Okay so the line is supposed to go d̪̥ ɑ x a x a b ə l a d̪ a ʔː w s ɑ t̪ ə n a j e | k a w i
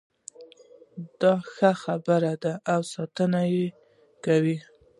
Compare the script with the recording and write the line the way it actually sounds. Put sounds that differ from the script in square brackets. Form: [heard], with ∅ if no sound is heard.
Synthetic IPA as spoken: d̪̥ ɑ x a x a b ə [ɾ] a d̪ a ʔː w s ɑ t̪ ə n a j e | k a w i

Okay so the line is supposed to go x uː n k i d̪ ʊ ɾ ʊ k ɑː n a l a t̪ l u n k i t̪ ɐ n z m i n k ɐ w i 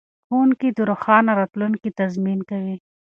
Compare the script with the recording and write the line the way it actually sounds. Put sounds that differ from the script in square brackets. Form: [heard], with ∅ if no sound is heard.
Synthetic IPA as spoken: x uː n k i d̪ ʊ ɾ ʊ [x] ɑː n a [ɾ] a t̪ l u n k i t̪ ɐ [∅] z m i n k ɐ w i

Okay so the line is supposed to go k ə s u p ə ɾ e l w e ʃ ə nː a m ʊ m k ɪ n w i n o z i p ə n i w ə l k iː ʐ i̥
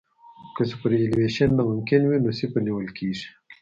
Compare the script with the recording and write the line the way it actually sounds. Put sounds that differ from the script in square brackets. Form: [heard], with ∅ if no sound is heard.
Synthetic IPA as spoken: k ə s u p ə ɾ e l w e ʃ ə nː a m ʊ m k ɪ n w i n o [s] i p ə n i w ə l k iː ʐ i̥

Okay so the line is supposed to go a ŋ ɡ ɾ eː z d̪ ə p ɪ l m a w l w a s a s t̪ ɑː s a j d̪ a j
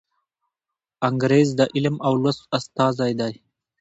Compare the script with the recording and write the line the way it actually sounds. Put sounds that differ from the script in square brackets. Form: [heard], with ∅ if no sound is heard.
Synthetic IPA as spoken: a ŋ ɡ ɾ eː z d̪ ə [ʔ] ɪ l m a w l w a s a s t̪ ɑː [z] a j d̪ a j

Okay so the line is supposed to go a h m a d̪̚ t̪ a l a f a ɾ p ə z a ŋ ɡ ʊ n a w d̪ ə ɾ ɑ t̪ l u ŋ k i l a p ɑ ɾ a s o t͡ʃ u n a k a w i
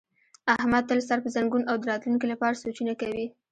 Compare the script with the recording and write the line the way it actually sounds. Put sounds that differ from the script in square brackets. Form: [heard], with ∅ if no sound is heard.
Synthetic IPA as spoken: a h m a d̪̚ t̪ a l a [s] a ɾ p ə z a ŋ ɡ [u] n a w d̪ ə ɾ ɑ t̪ l u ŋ k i l a p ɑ ɾ a s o t͡ʃ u n a k a w i

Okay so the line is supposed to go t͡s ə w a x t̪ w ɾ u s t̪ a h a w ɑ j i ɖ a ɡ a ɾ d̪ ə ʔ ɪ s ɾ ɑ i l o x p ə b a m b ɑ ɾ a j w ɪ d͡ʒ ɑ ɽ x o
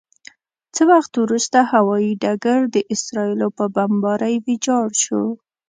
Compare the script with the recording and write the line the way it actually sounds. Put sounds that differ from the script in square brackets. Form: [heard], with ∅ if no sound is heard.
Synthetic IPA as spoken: t͡s ə w a x t̪ w ɾ u s t̪ a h a w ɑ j i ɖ a ɡ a ɾ d̪ ə ʔ ɪ s ɾ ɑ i l o [∅] p ə b a m b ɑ ɾ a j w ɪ d͡ʒ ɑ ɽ [ʃ] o

